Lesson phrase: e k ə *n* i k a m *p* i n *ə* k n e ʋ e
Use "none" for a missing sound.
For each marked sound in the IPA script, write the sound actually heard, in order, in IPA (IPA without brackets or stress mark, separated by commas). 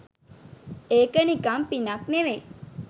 n, p, a